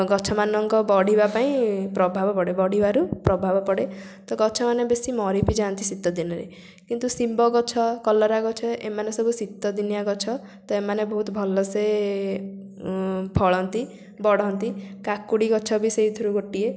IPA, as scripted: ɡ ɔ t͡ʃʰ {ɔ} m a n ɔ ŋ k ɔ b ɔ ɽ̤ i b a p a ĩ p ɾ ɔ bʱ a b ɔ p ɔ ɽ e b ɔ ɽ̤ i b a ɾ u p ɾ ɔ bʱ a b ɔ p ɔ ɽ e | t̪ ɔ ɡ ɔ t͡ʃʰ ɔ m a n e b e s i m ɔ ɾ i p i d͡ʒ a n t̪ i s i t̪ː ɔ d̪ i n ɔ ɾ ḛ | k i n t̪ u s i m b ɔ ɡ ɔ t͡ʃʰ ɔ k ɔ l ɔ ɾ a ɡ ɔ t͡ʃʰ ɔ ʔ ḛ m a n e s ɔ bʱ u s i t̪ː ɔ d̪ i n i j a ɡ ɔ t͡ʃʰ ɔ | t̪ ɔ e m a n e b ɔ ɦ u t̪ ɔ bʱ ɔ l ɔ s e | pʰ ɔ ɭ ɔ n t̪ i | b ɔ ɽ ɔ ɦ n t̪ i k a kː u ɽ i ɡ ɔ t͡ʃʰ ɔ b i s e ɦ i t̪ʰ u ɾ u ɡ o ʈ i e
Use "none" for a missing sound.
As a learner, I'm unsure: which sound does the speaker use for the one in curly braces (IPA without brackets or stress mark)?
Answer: ɔ